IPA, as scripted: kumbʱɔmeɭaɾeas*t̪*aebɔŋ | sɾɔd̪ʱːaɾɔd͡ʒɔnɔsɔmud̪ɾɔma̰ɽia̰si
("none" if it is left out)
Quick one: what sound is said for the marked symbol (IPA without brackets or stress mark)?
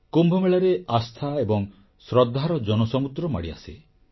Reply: t̪ʰ